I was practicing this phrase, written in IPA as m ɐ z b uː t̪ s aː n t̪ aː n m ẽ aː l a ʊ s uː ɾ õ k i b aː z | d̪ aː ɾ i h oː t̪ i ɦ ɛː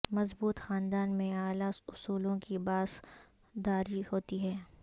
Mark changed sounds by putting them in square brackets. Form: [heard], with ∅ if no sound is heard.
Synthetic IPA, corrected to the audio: m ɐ z b uː t̪ [x] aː n [d̪] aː n m ẽ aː l a ʊ s uː [l] õ k i b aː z | d̪ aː ɾ i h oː t̪ i ɦ ɛː